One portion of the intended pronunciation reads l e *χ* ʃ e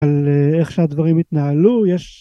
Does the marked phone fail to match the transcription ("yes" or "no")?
no